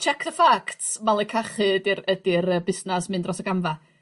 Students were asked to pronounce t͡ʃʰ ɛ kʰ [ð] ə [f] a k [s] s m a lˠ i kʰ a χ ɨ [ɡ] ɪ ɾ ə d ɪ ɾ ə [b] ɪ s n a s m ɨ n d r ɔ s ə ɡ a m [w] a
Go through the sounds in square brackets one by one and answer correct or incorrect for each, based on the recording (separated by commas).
correct, correct, incorrect, incorrect, correct, incorrect